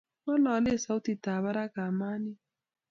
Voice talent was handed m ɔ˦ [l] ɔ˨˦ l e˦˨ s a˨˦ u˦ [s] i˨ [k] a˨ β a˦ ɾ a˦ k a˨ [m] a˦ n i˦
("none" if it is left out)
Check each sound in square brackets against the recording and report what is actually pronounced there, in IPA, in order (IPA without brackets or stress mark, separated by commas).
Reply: l, t, t, m